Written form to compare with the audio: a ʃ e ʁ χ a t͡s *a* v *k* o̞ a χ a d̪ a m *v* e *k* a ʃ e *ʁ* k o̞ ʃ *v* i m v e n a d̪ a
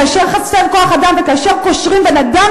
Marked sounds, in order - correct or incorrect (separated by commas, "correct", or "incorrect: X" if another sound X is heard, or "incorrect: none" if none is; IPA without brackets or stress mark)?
incorrect: e, correct, correct, correct, correct, incorrect: ʁ